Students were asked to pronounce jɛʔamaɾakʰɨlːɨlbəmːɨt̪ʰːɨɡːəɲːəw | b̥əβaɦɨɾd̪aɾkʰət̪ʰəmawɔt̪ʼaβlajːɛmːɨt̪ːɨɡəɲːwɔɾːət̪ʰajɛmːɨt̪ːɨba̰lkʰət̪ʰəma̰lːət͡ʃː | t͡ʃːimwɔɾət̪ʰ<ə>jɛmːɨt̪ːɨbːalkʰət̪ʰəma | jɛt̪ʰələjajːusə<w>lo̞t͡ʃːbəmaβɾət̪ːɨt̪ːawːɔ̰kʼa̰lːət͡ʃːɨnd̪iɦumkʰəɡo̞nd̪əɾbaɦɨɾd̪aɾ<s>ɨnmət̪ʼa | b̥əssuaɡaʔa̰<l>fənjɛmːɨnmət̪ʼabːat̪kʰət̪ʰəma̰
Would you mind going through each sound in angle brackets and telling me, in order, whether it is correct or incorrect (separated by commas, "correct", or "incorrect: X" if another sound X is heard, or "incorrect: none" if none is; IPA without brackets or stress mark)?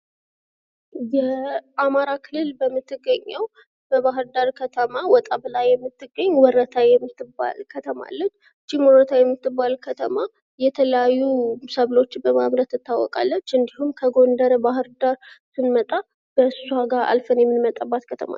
incorrect: a, incorrect: β, correct, correct